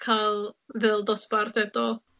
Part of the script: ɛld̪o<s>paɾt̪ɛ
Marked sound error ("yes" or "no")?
no